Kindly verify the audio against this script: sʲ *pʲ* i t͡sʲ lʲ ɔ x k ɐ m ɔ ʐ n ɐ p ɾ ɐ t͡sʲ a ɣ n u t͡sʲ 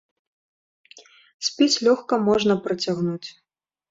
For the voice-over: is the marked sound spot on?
yes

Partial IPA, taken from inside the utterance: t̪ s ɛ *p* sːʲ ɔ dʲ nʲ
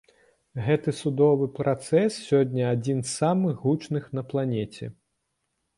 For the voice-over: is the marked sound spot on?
no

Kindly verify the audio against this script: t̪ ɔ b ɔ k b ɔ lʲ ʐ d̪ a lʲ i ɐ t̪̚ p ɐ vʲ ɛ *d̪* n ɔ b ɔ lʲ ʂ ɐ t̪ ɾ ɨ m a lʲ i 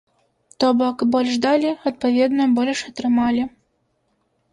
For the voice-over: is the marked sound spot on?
yes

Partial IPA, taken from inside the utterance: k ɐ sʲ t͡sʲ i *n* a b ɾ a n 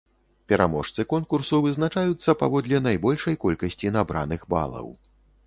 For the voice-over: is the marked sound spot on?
yes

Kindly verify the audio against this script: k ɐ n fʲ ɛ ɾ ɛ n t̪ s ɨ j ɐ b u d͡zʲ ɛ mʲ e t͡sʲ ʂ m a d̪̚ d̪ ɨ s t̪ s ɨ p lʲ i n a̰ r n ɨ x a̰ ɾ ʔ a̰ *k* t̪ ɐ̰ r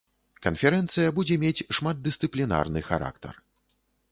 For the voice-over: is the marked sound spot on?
yes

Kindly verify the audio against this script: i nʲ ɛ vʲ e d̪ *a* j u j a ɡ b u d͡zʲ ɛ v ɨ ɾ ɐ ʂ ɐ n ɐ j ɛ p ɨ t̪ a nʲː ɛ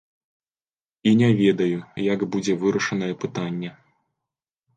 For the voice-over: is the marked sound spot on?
no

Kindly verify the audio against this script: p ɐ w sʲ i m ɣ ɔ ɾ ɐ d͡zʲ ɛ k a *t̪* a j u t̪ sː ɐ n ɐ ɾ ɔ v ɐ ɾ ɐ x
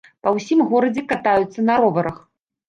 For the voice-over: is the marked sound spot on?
yes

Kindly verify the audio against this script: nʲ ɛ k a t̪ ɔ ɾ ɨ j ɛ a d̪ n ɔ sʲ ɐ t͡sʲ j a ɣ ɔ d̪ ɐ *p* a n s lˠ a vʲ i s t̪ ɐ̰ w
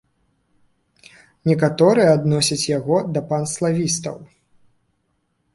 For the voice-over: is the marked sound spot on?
yes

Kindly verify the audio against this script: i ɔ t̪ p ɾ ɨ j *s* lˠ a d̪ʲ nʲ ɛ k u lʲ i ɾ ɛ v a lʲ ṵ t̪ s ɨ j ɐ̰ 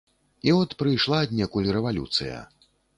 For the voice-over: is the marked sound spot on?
no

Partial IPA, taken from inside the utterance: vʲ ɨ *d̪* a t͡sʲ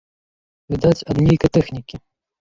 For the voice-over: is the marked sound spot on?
yes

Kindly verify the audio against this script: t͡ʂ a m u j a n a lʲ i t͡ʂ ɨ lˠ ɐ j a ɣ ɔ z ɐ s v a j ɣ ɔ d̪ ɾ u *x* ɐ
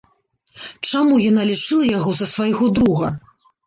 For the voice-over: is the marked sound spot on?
no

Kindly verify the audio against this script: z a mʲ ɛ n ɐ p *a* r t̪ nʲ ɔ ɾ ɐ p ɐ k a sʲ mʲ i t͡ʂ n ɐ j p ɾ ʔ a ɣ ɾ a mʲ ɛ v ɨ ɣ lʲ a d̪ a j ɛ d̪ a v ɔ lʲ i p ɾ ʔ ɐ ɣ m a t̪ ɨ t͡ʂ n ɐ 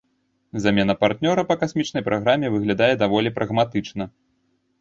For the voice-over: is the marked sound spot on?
yes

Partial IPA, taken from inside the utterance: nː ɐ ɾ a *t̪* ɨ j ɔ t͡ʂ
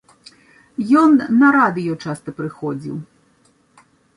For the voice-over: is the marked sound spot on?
no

